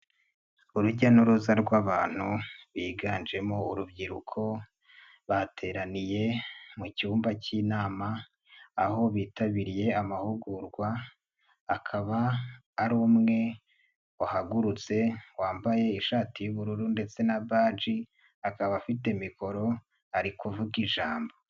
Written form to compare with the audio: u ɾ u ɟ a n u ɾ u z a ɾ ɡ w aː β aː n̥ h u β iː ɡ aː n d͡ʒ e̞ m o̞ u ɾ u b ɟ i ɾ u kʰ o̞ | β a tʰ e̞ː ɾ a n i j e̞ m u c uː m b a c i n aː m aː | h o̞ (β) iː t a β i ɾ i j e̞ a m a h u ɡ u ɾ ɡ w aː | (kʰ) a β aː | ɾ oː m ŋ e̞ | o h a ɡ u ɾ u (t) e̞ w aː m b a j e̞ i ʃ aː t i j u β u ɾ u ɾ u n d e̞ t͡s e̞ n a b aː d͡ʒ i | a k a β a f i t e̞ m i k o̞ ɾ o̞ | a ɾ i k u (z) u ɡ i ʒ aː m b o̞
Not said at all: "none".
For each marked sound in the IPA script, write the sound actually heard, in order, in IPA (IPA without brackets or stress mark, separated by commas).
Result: β, kʰ, t͡s, v